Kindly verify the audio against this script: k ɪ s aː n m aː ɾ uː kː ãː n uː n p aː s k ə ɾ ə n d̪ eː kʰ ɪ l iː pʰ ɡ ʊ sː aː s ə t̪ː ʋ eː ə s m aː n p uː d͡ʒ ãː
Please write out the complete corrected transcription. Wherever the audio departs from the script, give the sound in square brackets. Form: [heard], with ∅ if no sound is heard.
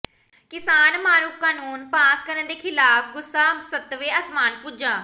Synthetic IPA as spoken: k ɪ s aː n m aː ɾ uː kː [aː] n uː n p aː s k ə ɾ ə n d̪ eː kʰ ɪ l [aː] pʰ ɡ ʊ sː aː s ə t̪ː ʋ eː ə s m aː n p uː d͡ʒ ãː